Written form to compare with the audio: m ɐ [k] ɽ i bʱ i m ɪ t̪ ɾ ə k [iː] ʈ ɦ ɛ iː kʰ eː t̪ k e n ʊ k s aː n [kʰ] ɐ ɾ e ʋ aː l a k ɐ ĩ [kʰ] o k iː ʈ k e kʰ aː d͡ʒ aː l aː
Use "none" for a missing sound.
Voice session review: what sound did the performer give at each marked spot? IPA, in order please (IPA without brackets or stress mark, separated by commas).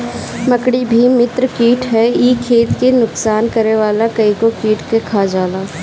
k, iː, k, k